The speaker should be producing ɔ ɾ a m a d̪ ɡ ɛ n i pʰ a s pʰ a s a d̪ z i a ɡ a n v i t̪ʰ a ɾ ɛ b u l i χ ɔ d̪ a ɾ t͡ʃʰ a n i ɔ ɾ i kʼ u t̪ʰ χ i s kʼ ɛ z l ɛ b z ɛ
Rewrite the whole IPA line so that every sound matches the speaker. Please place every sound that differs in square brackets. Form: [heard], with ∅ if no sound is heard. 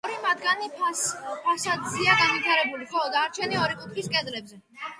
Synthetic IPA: ɔ ɾ [i] m a d̪ ɡ [a] n i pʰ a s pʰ a s a d̪ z i a ɡ a n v i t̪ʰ a ɾ ɛ b u l i χ ɔ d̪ a ɾ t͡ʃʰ [ɛ] n i ɔ ɾ i kʼ u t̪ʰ χ i s kʼ ɛ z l ɛ b z ɛ